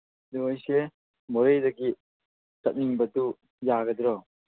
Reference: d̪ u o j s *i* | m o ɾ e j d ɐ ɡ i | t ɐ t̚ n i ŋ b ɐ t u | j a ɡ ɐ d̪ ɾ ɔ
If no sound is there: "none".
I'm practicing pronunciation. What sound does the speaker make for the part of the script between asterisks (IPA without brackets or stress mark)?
e